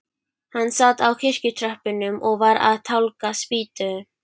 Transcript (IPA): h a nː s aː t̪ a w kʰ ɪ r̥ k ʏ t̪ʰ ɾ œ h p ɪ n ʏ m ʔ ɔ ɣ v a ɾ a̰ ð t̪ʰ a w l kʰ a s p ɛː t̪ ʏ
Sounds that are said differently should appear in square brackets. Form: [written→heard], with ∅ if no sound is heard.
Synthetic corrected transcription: h a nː s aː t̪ a w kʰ ɪ r̥ [k→c] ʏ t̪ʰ ɾ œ h p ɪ n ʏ m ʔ ɔ ɣ v a ɾ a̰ ð t̪ʰ a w l [kʰ→k] a s p [ɛː→iː] t̪ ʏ

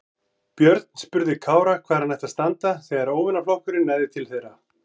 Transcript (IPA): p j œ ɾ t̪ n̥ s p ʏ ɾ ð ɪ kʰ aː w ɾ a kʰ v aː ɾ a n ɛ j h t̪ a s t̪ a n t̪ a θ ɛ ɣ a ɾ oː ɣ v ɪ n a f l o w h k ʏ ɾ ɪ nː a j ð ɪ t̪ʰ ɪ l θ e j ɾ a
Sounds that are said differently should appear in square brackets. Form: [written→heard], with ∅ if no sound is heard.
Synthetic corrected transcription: p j œ ɾ t̪ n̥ s p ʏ ɾ ð ɪ kʰ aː w ɾ a kʰ v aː ɾ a n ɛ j h t̪ a s t̪ a n t̪ a θ ɛ ɣ a ɾ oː [ɣ→w] v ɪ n a f l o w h k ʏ ɾ ɪ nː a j ð ɪ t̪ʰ ɪ l θ e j ɾ a

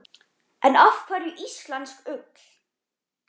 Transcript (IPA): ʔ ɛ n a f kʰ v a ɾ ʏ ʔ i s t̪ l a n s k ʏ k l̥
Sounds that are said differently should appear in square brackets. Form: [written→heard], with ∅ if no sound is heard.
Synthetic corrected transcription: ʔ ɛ n a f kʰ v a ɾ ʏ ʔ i s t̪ l a n s k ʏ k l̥

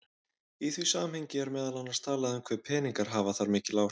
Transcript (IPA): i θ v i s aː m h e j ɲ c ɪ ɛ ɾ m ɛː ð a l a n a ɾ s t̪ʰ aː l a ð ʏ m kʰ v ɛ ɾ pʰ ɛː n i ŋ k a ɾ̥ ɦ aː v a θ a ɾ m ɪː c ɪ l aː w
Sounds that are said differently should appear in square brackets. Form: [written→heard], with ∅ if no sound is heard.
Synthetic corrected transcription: i θ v i s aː m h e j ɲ c ɪ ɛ ɾ m ɛː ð a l a n a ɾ s t̪ʰ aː l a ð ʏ m kʰ v ɛ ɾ pʰ ɛː n i ŋ k a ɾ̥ ɦ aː v a θ a ɾ m ɪː c ɪ l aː w

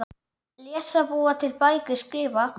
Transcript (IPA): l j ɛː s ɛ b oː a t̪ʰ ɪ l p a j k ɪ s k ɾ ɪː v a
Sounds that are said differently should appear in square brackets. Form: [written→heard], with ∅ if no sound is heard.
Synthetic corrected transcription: l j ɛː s [ɛ→a] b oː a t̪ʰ ɪ l p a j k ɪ s k ɾ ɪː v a

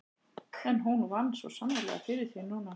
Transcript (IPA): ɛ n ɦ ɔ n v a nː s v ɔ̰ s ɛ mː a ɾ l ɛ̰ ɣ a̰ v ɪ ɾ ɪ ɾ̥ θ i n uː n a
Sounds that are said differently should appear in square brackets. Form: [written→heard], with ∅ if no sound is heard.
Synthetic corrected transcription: ɛ n ɦ [ɔ→u] n v a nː s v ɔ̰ s [ɛ→a] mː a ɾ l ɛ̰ ɣ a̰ [v→f] ɪ ɾ ɪ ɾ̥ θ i n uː n a

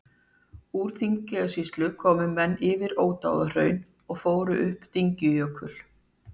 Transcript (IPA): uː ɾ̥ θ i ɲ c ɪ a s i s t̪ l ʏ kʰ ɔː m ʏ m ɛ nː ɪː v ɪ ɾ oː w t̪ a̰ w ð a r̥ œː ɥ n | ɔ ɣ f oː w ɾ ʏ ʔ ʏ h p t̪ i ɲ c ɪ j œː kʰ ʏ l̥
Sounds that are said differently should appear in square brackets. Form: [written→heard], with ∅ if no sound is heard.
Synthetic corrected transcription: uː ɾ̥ θ i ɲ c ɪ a s i s t̪ l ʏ kʰ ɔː m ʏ m ɛ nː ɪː v ɪ ɾ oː w t̪ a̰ w ð a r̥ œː ɥ n | ɔ ɣ f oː w ɾ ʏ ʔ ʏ h p t̪ i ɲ c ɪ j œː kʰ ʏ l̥

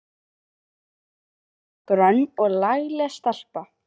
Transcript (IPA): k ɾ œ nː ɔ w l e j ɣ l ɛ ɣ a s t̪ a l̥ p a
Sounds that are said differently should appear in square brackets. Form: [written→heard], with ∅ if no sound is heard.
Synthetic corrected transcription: k ɾ œ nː ɔ [w→ɣ] l [e→a] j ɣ l ɛ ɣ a s t̪ a l̥ p a

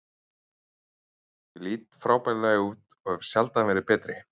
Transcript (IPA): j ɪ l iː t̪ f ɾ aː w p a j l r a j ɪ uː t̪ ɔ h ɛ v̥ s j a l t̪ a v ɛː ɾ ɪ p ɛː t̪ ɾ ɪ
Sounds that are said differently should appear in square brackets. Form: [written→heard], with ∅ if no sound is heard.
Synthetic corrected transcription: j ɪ l iː t̪ f ɾ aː w p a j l [r→l] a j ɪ uː t̪ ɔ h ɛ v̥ s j a l t̪ a v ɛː ɾ ɪ p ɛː t̪ ɾ ɪ

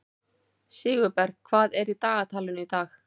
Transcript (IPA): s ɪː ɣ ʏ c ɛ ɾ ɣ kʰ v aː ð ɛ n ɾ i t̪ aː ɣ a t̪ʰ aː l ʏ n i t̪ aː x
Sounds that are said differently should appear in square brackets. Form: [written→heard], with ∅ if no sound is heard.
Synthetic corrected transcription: s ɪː ɣ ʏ [c→p] ɛ ɾ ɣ kʰ v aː ð ɛ [n→∅] ɾ i t̪ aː ɣ a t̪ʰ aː l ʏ n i t̪ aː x

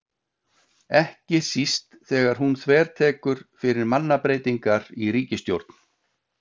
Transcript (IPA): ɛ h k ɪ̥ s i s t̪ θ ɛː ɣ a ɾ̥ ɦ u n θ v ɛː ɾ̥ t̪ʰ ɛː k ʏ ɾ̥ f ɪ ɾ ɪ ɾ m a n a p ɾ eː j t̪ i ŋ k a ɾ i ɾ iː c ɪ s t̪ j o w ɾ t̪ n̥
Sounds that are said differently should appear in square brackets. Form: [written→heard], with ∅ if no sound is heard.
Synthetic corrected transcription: ɛ h [k→c] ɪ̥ s i s t̪ θ ɛː ɣ a ɾ̥ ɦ u n θ v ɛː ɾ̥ t̪ʰ ɛː k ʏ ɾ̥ f ɪ ɾ ɪ ɾ m a [n→nː] a p ɾ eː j t̪ i ŋ k a ɾ i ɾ iː c ɪ s t̪ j o w ɾ t̪ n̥

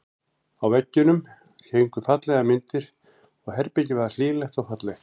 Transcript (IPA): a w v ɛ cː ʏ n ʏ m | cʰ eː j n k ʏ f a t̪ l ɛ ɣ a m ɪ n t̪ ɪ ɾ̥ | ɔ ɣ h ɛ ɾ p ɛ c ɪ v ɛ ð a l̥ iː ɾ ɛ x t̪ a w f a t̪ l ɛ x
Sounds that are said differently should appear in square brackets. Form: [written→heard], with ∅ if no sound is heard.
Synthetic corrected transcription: a w v ɛ cː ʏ n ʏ m | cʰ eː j [n→ŋ] k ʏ f a t̪ l ɛ ɣ a m ɪ n t̪ ɪ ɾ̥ | ɔ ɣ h ɛ ɾ p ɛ c ɪ v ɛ ð a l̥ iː [ɾ→l] ɛ x t̪ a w f a t̪ l ɛ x

